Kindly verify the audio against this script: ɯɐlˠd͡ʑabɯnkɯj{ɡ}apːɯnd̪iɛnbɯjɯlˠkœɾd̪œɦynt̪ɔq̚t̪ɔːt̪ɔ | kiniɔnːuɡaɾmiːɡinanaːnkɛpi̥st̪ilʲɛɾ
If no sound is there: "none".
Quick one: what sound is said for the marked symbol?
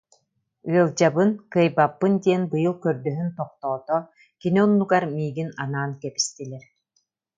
b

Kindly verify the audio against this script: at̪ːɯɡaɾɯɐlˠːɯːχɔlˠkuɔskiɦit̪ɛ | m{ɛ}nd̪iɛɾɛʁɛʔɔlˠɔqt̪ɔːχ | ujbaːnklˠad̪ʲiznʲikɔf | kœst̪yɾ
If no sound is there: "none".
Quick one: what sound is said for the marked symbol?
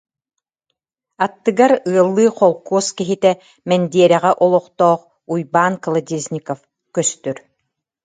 ɛ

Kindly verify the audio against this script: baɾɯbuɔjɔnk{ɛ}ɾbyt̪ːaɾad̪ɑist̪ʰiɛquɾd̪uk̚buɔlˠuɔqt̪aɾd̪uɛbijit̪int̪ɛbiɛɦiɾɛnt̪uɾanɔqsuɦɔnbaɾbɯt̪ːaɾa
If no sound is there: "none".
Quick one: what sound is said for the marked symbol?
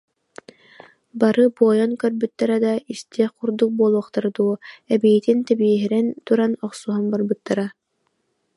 œ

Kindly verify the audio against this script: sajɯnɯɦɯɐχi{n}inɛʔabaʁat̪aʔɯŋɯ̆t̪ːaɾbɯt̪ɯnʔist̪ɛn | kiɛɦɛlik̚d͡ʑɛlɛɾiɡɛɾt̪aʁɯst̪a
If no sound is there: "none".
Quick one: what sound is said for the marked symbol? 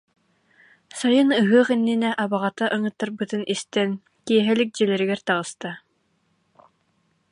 nː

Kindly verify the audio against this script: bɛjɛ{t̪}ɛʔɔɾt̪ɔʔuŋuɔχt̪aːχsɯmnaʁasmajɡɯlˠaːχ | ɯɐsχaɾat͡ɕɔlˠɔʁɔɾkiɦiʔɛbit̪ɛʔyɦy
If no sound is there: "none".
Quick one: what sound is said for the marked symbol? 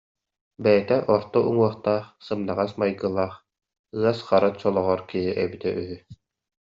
t̪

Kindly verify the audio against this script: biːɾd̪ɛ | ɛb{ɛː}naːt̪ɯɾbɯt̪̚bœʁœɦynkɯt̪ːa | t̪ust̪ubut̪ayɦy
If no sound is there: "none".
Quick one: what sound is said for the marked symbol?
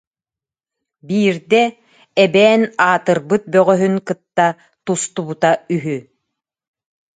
ɛː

